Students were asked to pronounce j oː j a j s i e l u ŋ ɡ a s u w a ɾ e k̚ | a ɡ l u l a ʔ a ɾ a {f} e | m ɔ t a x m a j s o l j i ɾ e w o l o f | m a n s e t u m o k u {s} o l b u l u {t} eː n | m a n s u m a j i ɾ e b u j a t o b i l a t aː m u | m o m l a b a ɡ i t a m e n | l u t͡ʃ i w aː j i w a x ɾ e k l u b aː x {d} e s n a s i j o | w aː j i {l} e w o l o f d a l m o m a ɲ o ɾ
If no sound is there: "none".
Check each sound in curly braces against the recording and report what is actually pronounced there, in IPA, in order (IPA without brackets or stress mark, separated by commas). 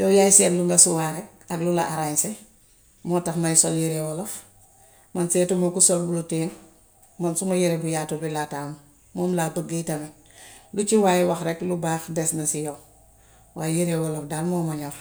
s, s, t, d, ɾ